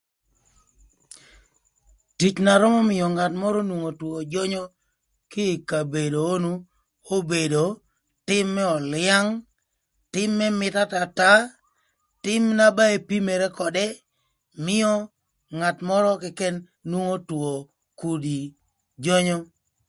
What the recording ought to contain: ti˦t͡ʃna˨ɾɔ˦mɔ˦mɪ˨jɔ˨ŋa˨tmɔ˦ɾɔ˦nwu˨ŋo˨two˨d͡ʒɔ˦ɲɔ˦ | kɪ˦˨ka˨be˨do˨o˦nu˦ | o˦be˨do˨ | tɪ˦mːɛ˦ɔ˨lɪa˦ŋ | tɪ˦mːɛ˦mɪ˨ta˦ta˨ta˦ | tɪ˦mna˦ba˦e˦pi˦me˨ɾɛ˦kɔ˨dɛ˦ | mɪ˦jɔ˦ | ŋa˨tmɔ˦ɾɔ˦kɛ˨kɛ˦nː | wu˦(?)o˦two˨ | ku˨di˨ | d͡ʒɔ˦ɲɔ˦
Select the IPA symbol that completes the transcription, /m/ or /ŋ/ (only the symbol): ŋ